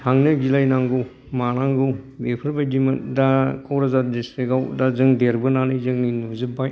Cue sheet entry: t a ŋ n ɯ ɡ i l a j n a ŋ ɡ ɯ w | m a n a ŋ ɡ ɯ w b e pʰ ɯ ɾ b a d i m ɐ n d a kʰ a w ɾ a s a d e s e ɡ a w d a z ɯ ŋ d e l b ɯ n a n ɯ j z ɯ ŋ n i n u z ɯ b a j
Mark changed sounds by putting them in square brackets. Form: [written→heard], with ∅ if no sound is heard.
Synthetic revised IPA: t a ŋ n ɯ ɡ i l a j n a ŋ ɡ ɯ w | m a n a ŋ ɡ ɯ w b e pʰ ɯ ɾ b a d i m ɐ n d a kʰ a w ɾ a [s→z] a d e s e ɡ a w d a z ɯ ŋ d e [l→ɾ] b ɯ n a n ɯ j z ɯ ŋ n i n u z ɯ b a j